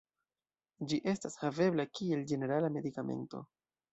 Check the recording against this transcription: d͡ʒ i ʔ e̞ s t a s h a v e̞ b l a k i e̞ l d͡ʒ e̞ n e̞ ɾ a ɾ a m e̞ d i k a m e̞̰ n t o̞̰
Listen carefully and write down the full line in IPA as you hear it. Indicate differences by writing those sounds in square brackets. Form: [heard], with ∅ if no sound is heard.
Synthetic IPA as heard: d͡ʒ i ʔ e̞ s t a s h a v e̞ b l a k i e̞ l d͡ʒ e̞ n e̞ ɾ a [l] a m e̞ d i k a m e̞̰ n t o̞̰